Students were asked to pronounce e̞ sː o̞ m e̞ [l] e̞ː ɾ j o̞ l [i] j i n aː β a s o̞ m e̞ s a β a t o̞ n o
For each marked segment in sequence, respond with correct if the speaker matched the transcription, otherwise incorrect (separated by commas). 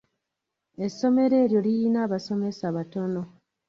incorrect, correct